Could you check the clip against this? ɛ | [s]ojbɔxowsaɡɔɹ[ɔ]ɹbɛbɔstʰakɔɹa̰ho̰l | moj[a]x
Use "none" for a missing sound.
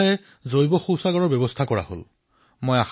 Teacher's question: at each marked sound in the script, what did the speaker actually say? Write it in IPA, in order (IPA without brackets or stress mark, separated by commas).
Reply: z, ɔ, a